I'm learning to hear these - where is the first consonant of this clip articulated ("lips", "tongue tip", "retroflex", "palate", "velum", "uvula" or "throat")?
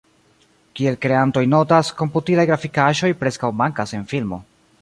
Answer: velum